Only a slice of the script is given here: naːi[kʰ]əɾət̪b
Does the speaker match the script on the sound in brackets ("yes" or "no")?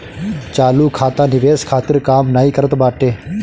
no